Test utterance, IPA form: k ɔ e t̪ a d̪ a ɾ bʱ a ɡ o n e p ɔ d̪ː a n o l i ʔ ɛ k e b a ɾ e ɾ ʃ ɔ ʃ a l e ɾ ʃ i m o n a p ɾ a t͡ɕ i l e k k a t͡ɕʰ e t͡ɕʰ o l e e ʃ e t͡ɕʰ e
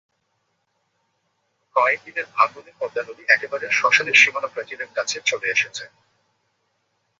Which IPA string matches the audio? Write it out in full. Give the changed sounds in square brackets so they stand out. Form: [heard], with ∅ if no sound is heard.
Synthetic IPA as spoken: k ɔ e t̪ [i] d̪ [e] ɾ bʱ a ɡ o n e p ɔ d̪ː a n o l i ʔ ɛ k e b a ɾ e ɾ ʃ ɔ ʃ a l e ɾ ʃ i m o n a p ɾ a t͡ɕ i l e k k a t͡ɕʰ e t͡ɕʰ o l e e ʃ e t͡ɕʰ e